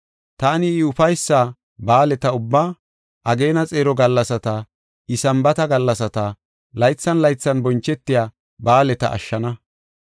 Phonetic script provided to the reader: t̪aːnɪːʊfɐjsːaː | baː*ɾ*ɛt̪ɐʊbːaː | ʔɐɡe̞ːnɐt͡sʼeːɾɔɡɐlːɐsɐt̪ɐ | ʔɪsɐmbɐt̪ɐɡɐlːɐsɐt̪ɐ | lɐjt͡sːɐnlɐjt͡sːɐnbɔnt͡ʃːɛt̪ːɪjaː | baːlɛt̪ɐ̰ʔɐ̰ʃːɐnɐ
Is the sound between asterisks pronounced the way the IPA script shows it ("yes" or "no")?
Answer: no